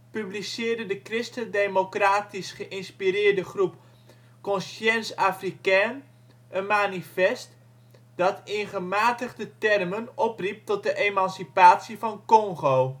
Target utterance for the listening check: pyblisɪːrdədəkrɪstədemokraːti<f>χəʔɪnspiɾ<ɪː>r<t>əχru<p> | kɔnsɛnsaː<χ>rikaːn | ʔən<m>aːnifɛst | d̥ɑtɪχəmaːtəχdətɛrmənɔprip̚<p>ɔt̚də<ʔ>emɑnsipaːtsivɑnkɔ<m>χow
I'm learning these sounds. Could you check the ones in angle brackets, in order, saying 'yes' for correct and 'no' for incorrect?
no, yes, no, yes, no, yes, no, yes, no

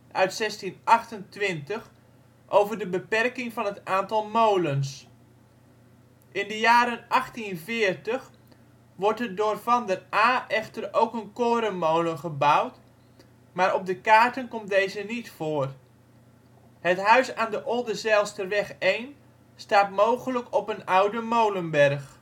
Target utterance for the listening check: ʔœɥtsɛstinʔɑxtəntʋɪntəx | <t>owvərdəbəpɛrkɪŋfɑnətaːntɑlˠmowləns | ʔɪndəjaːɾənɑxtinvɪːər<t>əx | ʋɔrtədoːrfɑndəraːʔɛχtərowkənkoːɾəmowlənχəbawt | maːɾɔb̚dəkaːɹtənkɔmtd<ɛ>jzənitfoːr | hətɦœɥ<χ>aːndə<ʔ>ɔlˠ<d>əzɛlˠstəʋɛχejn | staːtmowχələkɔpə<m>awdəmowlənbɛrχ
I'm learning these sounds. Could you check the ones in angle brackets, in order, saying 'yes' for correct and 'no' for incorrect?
no, yes, no, no, yes, yes, no

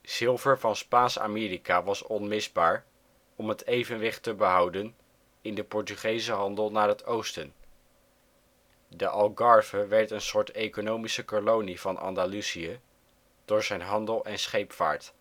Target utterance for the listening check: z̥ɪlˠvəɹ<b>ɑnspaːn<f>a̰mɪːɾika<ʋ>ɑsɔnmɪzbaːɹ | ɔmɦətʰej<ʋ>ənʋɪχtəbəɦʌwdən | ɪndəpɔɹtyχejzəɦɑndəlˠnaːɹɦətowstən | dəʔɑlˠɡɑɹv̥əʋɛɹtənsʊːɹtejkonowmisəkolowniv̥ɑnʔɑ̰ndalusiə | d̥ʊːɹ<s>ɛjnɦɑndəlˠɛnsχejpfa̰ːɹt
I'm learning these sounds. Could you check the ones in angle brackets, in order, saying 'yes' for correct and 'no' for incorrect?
no, no, yes, no, no

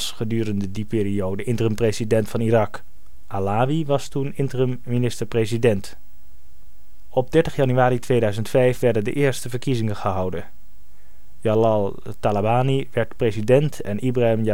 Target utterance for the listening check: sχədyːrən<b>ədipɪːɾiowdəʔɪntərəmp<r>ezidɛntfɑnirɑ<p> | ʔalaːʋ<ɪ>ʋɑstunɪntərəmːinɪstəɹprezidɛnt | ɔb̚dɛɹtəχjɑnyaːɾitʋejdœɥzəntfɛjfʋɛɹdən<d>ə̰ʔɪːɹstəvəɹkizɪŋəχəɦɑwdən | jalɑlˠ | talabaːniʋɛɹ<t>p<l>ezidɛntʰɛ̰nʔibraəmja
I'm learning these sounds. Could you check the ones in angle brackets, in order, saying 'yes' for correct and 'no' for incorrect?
no, yes, no, no, yes, yes, no

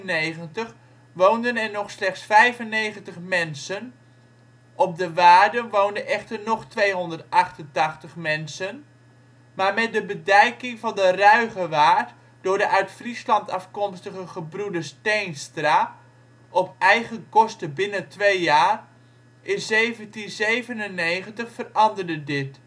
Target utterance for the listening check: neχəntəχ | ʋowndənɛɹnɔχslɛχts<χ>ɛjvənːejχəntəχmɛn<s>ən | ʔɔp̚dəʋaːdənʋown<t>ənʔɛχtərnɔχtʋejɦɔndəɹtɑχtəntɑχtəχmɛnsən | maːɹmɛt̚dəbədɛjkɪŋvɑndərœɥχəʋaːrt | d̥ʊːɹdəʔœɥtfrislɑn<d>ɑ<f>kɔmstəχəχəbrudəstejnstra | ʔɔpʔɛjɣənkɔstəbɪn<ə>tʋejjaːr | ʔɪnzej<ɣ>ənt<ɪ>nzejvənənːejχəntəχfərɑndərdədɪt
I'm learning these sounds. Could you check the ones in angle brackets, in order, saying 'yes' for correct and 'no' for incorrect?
no, yes, no, no, yes, yes, no, no

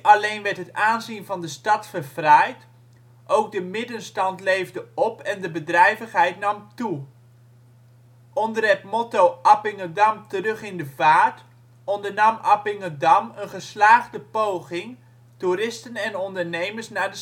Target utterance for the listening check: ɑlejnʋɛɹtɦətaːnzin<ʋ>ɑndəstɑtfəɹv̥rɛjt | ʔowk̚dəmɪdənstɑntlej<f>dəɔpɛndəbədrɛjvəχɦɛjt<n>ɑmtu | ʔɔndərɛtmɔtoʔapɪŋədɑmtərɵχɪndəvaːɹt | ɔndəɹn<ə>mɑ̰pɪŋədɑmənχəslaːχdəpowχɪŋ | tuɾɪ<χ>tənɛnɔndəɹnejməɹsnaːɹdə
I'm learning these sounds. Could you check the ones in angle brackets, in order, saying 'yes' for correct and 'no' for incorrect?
no, no, yes, no, no

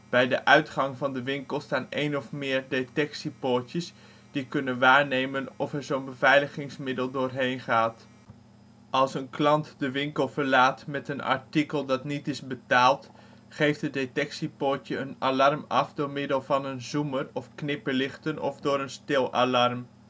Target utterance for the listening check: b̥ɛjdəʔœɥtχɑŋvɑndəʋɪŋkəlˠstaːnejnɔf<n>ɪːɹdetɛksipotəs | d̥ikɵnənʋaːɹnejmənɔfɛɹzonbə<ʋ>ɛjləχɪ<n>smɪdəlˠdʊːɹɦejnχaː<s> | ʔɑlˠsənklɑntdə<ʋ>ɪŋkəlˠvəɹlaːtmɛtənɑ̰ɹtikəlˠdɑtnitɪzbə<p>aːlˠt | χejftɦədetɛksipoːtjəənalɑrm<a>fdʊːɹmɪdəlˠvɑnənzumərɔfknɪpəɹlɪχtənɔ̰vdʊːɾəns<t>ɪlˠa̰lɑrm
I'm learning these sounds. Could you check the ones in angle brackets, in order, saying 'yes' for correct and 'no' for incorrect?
no, no, no, no, yes, no, no, yes

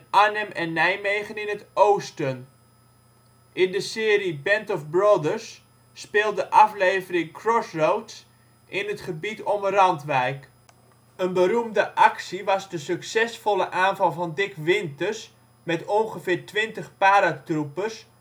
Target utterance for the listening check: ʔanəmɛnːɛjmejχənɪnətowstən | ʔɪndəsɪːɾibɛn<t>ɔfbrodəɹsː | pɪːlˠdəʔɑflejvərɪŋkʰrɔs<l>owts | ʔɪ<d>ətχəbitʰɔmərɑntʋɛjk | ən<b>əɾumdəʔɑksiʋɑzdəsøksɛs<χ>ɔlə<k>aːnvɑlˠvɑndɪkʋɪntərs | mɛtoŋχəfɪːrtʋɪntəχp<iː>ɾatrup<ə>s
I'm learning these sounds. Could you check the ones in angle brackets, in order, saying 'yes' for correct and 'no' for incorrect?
yes, no, no, yes, no, no, no, yes

